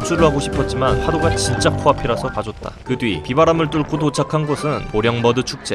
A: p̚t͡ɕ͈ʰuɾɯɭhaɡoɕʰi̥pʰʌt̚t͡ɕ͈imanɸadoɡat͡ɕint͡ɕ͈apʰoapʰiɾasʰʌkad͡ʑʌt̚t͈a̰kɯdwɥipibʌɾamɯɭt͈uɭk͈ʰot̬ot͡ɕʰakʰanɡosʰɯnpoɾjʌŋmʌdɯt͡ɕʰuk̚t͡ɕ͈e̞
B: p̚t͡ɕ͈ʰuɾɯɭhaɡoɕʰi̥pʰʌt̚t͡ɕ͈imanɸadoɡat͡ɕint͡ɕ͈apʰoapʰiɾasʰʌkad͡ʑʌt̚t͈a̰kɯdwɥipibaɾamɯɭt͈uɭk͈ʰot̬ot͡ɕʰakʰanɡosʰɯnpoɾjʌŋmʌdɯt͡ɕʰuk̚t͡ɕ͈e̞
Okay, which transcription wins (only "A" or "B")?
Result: B